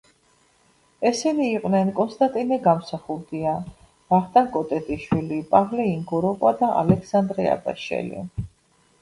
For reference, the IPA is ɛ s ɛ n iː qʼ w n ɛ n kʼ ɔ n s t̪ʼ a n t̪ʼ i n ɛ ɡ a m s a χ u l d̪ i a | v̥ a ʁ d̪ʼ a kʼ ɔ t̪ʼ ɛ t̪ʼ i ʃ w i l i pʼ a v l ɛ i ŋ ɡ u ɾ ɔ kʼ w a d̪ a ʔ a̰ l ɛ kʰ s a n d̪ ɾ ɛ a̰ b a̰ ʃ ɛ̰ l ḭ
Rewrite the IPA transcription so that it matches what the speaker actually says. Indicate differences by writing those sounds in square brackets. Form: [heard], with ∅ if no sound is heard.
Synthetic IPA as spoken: ɛ s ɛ n iː qʼ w n ɛ n kʼ ɔ n s t̪ʼ a n t̪ʼ i n ɛ ɡ a m s a χ u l d̪ i a | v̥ a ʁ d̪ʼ a kʼ ɔ t̪ʼ ɛ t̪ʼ i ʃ w i l i pʼ a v l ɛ i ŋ ɡ [ɔ] ɾ ɔ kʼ w a d̪ a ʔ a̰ l ɛ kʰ s a n d̪ ɾ ɛ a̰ b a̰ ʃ ɛ̰ l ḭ